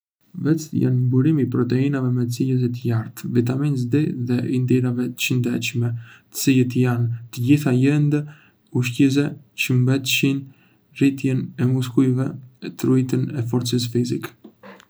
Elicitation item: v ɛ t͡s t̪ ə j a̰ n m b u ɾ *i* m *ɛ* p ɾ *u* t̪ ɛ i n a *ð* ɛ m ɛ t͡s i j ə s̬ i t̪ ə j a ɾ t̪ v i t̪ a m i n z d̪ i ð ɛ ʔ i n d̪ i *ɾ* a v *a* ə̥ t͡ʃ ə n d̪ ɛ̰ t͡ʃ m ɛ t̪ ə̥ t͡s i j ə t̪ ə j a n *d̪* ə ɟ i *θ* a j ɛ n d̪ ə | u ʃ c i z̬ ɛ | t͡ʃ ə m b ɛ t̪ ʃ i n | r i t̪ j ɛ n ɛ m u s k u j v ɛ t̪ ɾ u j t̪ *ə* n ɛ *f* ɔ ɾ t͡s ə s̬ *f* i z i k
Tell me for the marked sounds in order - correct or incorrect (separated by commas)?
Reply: correct, incorrect, incorrect, incorrect, correct, incorrect, incorrect, correct, correct, correct, correct